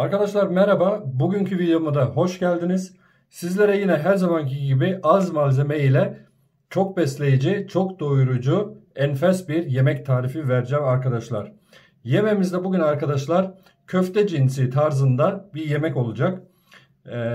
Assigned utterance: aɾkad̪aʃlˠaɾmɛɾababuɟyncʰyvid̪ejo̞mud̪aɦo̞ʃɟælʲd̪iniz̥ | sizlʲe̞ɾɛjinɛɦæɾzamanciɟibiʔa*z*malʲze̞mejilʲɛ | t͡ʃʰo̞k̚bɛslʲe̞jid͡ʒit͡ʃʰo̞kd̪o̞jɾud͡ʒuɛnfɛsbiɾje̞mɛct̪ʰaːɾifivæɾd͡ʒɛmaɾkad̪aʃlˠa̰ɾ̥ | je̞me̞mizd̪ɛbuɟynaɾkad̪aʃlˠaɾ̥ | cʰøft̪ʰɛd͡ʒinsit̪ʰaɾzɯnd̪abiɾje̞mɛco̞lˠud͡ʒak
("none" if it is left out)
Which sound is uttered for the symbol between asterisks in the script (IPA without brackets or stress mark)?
z